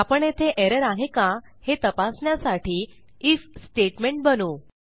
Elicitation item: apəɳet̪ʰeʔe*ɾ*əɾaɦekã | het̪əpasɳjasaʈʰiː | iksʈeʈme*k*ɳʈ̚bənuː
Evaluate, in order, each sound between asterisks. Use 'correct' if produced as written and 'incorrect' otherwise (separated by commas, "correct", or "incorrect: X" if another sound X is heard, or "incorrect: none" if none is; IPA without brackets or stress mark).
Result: correct, incorrect: none